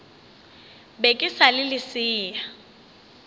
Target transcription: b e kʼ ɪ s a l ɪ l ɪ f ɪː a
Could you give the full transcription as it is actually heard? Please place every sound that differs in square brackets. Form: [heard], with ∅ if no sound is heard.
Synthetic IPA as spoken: b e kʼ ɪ s a l ɪ l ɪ [s] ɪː a

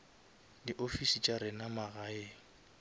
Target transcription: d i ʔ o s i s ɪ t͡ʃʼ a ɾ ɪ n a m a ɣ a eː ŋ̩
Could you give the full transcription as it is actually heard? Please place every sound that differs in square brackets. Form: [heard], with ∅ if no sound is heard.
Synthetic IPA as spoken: d i ʔ o [f] i s [i] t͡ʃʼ a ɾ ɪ n a m a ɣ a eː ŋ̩

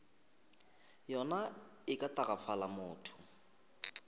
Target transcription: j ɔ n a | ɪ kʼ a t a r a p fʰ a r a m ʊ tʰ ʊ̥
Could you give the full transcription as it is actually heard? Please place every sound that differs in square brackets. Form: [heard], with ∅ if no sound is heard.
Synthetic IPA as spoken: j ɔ n a | ɪ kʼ a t a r a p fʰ a [l] a m [ʊː] tʰ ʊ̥

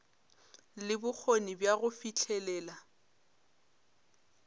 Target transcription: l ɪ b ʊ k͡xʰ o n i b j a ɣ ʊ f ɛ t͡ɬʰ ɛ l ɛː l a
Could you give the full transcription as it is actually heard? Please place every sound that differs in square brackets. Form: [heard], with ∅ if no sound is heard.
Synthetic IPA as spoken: l ɪ b ʊ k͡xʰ o n i b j a ɣ ʊ f [i] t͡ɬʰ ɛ l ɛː l a

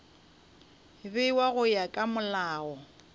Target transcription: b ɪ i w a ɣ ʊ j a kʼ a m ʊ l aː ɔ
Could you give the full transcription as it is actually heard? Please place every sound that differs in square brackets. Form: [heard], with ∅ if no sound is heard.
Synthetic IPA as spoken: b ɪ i w a ɣ ʊ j a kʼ a m ʊ l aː ɔ

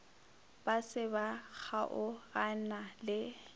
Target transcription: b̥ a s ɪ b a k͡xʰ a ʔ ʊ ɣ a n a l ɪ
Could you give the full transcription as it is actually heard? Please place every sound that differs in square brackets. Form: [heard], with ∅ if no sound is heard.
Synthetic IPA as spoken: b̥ a s ɪ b a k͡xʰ a ʔ ʊ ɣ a n a l ɪ

